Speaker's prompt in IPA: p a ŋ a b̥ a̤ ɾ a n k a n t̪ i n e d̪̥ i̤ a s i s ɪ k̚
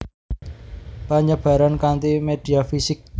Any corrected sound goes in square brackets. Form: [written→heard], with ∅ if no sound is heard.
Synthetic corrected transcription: p a [ŋ→ɲ] a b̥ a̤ ɾ a n k a n t̪ i [n→m] e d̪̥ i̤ a [s→f] i s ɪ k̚